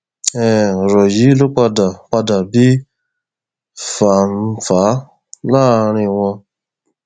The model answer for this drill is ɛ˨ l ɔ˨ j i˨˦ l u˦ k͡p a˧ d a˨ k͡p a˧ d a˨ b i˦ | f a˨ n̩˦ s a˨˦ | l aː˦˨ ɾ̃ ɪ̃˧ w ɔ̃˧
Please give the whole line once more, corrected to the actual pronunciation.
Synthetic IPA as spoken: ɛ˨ ɾ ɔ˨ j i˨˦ l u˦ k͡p a˧ d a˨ k͡p a˧ d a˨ b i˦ | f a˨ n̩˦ f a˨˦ | l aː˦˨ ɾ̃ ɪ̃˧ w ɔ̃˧